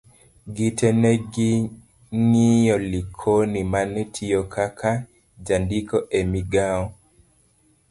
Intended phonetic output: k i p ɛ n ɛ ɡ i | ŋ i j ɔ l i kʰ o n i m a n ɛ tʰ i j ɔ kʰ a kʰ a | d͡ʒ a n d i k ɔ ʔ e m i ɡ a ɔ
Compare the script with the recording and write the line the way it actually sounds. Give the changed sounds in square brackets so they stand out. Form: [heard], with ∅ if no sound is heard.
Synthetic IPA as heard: [ɡ] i [t] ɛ n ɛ ɡ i | ŋ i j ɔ l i kʰ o n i m a n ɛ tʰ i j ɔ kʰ a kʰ a | d͡ʒ a n d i k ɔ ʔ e m i ɡ a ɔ